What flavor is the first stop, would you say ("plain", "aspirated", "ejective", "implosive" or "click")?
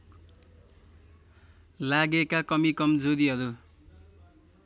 plain